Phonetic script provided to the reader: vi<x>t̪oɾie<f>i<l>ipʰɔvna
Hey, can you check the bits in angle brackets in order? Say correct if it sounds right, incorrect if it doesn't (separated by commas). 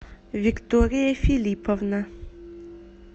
incorrect, correct, correct